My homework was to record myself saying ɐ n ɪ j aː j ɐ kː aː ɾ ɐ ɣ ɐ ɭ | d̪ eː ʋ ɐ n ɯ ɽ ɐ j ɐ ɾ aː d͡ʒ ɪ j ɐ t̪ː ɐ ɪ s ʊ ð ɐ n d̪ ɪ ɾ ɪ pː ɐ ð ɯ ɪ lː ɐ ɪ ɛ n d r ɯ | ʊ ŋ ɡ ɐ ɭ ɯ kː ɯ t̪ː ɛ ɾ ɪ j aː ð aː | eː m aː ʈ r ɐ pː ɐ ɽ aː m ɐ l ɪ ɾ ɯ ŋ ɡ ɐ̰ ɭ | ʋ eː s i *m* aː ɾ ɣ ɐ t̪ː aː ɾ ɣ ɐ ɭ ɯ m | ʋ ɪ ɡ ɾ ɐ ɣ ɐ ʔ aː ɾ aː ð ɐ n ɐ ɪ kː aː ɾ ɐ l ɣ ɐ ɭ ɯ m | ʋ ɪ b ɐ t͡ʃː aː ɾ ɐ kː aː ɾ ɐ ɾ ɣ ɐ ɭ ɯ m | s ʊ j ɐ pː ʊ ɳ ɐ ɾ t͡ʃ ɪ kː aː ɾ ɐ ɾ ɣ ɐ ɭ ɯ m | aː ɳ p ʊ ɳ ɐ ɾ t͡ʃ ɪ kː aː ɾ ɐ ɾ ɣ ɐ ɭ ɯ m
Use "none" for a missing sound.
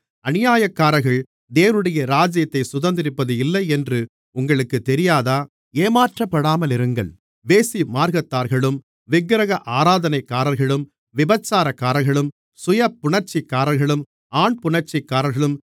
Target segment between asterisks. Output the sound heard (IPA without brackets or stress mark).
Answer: m